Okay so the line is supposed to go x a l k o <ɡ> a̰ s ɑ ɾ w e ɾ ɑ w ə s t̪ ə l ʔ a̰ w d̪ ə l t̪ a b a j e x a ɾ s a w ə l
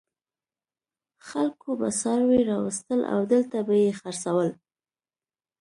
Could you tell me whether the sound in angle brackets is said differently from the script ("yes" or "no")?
yes